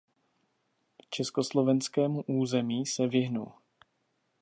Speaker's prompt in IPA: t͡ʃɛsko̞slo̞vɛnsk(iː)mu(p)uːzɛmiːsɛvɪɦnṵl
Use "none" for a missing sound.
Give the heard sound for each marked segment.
ɛː, ʔ

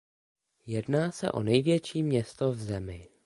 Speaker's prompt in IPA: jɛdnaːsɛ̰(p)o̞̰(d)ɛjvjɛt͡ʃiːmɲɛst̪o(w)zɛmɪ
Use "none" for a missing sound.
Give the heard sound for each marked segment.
ʔ, n, v

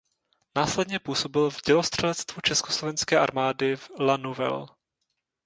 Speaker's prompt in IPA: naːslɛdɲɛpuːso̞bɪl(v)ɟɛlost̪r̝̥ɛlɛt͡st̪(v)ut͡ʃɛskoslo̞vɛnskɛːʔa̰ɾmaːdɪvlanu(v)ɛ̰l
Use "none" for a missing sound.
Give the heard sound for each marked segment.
v, v, v

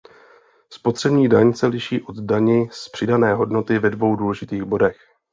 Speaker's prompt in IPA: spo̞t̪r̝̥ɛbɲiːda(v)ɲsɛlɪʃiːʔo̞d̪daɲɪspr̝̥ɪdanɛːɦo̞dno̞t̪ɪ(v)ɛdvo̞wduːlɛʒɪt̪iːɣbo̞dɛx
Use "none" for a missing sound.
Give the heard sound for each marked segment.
none, v

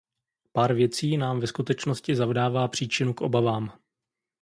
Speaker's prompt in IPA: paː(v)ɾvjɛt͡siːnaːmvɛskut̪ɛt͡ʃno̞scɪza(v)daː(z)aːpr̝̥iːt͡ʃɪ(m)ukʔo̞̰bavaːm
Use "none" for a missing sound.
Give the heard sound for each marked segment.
none, v, v, n

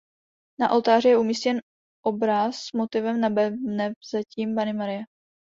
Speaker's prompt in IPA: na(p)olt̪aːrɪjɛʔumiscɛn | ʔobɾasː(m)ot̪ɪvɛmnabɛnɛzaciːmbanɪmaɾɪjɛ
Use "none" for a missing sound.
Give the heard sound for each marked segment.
ʔ, m

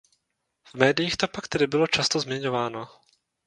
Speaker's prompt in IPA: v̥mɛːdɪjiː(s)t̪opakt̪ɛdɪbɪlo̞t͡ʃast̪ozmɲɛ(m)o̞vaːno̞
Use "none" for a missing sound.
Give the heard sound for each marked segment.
x, ɲ

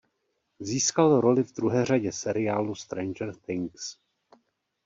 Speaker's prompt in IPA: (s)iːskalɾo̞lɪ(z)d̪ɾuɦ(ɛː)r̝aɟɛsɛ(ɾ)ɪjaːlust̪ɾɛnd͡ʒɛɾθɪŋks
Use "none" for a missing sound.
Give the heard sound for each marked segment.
z, v, ɛː, ɾ

